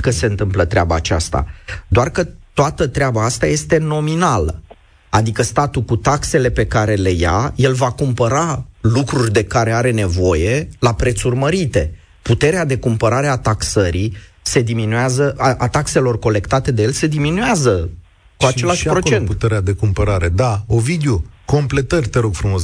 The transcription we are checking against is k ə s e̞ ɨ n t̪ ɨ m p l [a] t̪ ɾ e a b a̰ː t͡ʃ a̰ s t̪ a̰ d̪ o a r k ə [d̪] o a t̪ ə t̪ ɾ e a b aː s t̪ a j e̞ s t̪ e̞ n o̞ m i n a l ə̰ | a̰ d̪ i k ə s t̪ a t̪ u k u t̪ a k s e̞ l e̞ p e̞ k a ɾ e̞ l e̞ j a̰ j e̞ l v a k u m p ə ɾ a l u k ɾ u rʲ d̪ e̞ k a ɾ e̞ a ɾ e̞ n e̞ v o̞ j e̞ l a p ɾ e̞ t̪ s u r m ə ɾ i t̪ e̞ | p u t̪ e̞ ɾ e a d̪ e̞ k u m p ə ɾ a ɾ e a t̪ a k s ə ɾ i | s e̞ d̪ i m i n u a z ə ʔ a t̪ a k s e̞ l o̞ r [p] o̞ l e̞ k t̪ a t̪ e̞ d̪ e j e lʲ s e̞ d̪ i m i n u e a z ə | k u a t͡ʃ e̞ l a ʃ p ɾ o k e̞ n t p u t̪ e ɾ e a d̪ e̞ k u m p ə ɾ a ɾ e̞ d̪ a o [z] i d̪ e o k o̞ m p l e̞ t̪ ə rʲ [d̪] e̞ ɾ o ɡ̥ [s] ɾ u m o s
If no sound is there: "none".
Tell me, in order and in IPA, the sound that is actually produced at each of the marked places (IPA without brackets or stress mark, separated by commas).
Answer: ə, t̪, k, v, t̪, f